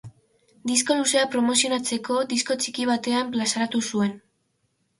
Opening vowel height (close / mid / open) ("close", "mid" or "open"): close